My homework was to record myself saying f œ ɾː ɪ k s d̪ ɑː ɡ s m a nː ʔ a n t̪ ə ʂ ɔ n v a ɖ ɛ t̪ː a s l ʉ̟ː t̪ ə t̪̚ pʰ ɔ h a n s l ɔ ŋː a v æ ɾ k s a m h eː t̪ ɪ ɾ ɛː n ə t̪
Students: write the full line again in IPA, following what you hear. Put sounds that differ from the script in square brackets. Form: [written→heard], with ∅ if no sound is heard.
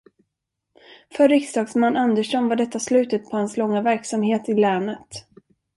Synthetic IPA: f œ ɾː ɪ k s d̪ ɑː ɡ s m a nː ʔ a n [t̪→d̪] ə ʂ ɔ n v a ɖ ɛ t̪ː a s l ʉ̟ː t̪ ə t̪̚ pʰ ɔ h a n s l ɔ ŋː a v æ ɾ k s a m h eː t̪ ɪ [ɾ→l] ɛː n ə t̪